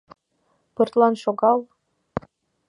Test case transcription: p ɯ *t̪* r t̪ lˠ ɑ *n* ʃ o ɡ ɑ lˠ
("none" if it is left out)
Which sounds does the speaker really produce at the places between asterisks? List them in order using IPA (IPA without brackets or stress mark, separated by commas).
none, n